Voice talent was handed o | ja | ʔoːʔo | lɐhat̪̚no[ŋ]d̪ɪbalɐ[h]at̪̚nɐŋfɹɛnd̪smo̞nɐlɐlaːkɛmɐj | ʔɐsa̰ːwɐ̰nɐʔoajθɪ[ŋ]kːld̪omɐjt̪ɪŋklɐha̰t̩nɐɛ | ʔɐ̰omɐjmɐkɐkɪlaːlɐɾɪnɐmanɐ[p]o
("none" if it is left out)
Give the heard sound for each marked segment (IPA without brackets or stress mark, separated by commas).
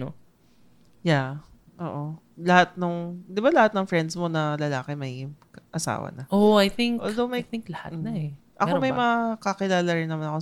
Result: ŋ, h, ŋ, k